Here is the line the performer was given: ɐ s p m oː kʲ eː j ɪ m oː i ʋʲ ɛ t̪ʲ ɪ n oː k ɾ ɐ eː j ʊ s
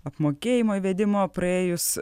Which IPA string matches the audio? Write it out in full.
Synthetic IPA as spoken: ɐ p m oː kʲ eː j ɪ m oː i ʋʲ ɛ d̪ʲ ɪ m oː p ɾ ɐ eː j ʊ s

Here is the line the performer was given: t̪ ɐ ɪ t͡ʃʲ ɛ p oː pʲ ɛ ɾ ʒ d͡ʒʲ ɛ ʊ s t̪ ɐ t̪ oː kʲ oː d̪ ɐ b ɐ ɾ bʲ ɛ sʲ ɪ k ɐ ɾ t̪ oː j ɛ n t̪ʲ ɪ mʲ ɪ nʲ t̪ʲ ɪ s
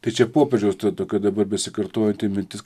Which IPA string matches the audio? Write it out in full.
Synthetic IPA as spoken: t̪ ɐ ɪ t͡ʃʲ ɛ p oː pʲ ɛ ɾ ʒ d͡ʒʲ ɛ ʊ s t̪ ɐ t̪ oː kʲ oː d̪ ɐ b ɐ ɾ bʲ ɛ sʲ ɪ k ɐ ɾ t̪ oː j ɛ n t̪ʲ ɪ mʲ ɪ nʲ t̪ʲ ɪ s

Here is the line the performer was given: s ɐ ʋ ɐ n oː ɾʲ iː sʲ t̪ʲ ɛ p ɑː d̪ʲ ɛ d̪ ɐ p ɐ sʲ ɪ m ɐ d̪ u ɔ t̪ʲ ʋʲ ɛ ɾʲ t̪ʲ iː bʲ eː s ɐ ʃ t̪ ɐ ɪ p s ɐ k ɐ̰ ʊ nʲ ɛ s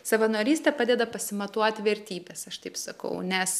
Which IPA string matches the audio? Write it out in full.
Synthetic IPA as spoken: s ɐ ʋ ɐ n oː ɾʲ iː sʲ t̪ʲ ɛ p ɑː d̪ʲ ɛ d̪ ɐ p ɐ sʲ ɪ m ɐ t̪ u ɔ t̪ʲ ʋʲ ɛ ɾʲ t̪ʲ iː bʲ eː s ɐ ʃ t̪ ɐ ɪ p s ɐ k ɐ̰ ʊ nʲ ɛ s

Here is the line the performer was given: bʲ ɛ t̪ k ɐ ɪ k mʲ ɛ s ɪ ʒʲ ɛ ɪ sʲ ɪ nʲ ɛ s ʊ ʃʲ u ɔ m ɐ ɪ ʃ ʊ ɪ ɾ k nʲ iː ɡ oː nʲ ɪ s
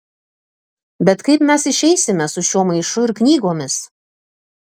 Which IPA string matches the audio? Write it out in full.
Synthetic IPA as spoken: bʲ ɛ t̪ k ɐ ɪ p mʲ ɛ s ɪ ʃʲ ɛ ɪ sʲ ɪ mʲ ɛ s ʊ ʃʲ u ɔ m ɐ ɪ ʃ ʊ ɪ ɾ k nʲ iː ɡ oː mʲ ɪ s

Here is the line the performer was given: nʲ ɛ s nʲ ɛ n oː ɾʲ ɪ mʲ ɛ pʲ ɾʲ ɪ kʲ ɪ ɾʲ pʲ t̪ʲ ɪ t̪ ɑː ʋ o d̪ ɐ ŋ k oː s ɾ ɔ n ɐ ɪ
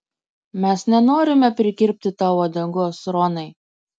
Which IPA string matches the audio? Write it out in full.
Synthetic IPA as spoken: mʲ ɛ s nʲ ɛ n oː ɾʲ ɪ mʲ ɛ pʲ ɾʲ ɪ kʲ ɪ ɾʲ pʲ t̪ʲ ɪ t̪ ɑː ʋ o d̪ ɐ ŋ ɡ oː s ɾ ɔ n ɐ ɪ

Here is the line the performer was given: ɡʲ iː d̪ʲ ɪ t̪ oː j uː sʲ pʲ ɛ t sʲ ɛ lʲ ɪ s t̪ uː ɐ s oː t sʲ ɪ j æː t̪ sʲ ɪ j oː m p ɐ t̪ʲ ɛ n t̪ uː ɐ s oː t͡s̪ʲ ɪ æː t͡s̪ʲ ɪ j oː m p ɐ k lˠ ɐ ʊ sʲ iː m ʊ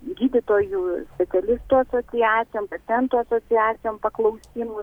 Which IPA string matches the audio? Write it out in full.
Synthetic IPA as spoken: ɡʲ iː d̪ʲ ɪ t̪ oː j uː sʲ pʲ ɛ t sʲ ɛ lʲ ɪ s t̪ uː ɐ s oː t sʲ ɪ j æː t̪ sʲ ɪ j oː m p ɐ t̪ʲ ɛ n t̪ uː ɐ s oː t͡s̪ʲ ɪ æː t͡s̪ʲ ɪ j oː m p ɐ k lˠ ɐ ʊ sʲ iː m ʊ

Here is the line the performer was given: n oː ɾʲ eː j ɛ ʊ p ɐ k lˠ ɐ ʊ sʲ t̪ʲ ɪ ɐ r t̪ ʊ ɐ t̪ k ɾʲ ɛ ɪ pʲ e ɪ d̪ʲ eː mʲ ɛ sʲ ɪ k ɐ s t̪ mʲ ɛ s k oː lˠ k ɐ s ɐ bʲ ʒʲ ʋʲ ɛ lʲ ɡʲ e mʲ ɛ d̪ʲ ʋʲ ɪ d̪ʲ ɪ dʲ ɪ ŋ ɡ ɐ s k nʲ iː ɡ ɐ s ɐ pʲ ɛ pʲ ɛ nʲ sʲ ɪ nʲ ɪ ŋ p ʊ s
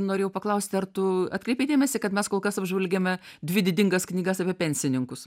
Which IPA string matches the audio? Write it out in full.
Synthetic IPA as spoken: n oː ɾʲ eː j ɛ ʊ p ɐ k lˠ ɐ ʊ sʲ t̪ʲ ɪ ɐ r t̪ ʊ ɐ t̪ k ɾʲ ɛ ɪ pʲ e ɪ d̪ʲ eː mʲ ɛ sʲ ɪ k ɐ t̪ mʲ ɛ s k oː lˠ k ɐ s ɐ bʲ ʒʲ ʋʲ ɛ lʲ ɡʲ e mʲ ɛ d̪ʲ ʋʲ ɪ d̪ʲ ɪ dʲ ɪ ŋ ɡ ɐ s k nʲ iː ɡ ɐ s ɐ pʲ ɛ pʲ ɛ nʲ sʲ ɪ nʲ ɪ ŋ k ʊ s

